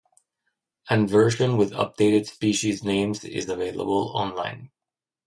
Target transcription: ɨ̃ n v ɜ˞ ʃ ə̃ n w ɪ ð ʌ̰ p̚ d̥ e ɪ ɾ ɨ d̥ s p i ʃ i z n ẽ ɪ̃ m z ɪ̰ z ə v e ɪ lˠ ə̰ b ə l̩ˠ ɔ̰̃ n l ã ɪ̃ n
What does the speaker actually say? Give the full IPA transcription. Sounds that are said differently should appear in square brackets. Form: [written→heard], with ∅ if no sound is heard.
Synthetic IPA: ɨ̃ n v ɜ˞ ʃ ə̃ n w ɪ ð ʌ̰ p̚ d̥ e ɪ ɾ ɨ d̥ s p i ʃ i z n ẽ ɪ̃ m z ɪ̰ z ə v e ɪ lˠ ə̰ b ə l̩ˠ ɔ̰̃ n l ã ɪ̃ n